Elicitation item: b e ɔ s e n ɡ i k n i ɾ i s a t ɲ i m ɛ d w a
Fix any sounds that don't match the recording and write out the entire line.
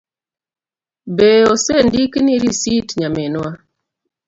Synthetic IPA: b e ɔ s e n d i k n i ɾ i s i t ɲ a m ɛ n w a